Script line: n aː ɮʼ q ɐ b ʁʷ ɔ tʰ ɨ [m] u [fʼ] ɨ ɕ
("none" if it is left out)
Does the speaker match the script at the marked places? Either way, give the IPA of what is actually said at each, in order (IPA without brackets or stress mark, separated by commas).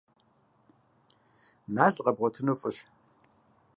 n, fʼ